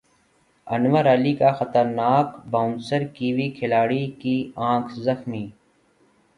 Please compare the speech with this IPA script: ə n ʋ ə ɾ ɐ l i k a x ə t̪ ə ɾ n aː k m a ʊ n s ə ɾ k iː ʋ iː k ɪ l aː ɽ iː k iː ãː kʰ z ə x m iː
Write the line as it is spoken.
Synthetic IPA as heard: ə n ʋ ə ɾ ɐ l i k a x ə t̪ ə ɾ n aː k b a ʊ n s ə ɾ k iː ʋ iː kʰ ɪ l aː ɽ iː k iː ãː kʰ z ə x m iː